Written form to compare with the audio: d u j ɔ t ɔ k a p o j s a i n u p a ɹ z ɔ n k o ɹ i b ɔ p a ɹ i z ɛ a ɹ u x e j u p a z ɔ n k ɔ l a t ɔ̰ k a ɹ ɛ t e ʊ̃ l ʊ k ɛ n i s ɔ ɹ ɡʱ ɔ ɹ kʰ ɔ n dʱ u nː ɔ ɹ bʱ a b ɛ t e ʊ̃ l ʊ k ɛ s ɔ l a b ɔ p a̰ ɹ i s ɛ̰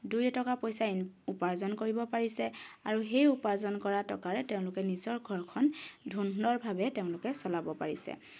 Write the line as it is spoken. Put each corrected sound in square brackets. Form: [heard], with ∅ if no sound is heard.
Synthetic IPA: d u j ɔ t ɔ k a p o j s a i n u p a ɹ z ɔ n k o ɹ i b ɔ p a ɹ i [s] ɛ a ɹ u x e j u p a z ɔ n k ɔ [ɹ] a t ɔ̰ k a ɹ ɛ t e ʊ̃ l ʊ k ɛ n i [z] ɔ ɹ ɡʱ ɔ ɹ kʰ ɔ n dʱ u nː ɔ ɹ bʱ a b ɛ t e ʊ̃ l ʊ k ɛ s ɔ l a b ɔ p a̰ ɹ i s ɛ̰

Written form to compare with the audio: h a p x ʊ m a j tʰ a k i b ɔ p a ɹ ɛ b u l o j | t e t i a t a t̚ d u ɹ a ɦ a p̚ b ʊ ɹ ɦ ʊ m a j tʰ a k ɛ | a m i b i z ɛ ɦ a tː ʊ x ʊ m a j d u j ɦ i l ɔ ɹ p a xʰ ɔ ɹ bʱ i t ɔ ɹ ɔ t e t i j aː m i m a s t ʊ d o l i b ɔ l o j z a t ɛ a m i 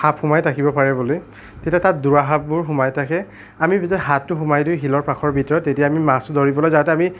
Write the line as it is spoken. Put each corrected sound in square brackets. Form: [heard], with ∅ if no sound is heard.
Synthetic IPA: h a p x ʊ m a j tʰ a k i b ɔ p a ɹ ɛ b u l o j | t e t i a t a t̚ d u ɹ a ɦ a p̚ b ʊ ɹ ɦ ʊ m a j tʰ a k ɛ | a m i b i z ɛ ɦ a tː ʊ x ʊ m a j d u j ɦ i l ɔ ɹ p a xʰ ɔ ɹ bʱ i t ɔ ɹ ɔ t e t i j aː m i m a s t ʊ d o [ɹ] i b ɔ l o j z a t ɛ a m i

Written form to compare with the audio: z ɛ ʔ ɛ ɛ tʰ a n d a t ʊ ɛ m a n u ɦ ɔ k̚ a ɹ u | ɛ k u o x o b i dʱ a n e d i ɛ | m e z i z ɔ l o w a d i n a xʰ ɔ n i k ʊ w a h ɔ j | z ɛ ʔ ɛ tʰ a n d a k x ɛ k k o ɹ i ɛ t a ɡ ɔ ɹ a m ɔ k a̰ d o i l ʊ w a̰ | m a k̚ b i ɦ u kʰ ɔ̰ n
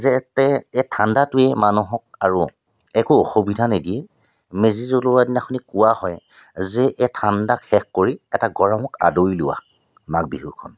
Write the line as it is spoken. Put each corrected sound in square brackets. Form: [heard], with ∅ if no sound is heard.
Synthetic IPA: z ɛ [t] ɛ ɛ tʰ a n d a t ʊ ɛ m a n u ɦ ɔ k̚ a ɹ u | ɛ k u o x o b i dʱ a n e d i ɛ | m e z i z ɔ l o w a d i n a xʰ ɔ n i k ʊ w a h ɔ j | z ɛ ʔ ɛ tʰ a n d a k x ɛ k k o ɹ i ɛ t a ɡ ɔ ɹ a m ɔ k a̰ d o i l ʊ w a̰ | m a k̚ b i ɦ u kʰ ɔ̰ n

